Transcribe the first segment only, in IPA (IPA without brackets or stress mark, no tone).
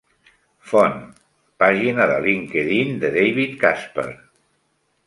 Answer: f